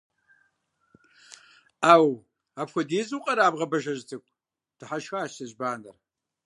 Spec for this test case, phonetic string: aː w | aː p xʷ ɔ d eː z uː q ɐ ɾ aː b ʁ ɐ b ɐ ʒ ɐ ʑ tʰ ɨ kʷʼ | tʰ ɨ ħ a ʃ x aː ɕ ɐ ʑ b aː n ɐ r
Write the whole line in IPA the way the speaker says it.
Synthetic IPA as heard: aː w | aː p xʷ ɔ d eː z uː qʼ ɐ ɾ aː b ʁ ɐ b ɐ ʒ ɐ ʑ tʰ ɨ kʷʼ | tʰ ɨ ħ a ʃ x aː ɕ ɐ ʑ b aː n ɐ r